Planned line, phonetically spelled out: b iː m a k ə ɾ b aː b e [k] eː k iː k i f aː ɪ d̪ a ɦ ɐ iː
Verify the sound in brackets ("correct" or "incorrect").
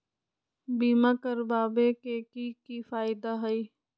correct